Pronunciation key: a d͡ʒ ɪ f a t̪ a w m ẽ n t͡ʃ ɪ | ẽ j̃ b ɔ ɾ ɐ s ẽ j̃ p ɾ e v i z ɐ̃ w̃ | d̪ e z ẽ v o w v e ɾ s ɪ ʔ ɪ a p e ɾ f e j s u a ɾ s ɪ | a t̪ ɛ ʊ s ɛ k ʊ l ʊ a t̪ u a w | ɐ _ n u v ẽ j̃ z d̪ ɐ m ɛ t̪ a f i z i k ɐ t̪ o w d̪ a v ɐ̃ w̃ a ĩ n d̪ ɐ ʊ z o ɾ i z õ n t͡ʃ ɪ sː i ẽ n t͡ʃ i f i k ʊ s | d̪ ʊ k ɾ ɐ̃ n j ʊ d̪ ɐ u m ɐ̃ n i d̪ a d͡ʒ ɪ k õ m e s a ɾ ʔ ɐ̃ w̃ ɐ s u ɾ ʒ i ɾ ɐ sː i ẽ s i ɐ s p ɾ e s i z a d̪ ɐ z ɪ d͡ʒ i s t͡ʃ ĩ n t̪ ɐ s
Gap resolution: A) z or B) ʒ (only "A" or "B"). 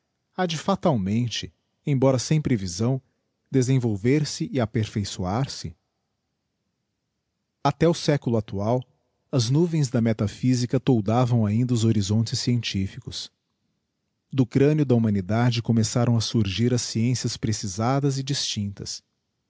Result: A